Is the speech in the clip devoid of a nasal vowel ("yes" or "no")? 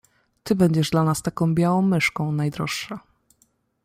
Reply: no